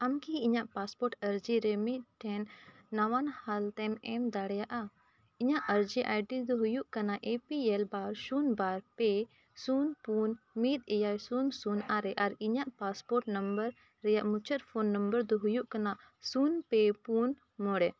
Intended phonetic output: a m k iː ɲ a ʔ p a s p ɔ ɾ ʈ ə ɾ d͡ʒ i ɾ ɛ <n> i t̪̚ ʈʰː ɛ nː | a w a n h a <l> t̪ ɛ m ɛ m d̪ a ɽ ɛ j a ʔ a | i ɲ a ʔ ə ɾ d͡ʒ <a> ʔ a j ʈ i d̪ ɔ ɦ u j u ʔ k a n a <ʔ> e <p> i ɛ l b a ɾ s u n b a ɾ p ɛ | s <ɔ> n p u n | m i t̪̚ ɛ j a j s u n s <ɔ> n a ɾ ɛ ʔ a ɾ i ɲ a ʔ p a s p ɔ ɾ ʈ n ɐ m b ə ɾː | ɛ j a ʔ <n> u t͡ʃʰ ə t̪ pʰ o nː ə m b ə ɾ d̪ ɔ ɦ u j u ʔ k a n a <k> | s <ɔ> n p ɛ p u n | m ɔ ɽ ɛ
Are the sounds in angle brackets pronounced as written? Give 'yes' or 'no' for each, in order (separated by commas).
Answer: no, yes, no, yes, yes, no, no, no, no, no